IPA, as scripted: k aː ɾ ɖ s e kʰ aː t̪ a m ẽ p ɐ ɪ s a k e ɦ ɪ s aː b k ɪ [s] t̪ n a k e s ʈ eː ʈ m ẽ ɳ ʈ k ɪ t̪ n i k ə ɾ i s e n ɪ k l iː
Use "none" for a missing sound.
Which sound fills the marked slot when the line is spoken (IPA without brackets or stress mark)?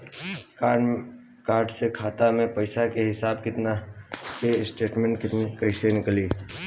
none